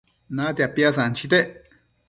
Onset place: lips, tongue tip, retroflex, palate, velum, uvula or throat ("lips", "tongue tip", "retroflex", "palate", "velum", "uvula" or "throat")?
tongue tip